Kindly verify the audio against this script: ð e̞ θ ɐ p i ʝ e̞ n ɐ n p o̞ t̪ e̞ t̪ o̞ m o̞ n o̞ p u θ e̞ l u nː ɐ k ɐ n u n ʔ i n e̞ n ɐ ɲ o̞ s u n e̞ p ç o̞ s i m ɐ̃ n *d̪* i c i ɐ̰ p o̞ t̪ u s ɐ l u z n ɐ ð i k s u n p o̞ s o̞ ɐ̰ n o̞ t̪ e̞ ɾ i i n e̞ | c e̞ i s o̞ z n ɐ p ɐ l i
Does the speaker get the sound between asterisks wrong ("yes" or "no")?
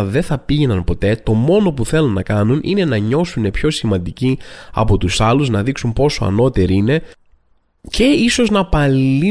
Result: no